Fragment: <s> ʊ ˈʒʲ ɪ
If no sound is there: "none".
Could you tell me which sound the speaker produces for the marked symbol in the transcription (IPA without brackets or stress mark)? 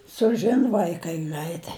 s